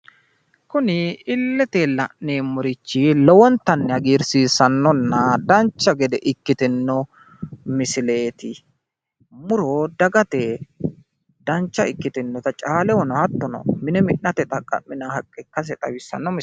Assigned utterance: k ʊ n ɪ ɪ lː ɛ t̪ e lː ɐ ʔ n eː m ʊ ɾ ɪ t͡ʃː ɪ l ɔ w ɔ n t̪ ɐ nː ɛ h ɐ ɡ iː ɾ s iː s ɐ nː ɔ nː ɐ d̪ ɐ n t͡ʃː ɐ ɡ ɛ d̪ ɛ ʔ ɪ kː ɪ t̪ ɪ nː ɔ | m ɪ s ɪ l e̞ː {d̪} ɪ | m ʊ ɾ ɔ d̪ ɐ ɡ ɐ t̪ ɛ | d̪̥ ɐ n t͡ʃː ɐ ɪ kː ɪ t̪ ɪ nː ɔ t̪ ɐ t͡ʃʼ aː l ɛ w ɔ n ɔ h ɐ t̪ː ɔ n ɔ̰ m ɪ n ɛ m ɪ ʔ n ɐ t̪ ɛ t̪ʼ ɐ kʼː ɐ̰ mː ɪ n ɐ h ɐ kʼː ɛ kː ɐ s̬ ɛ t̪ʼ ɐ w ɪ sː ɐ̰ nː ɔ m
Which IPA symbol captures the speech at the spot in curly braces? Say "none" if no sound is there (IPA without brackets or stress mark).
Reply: t̪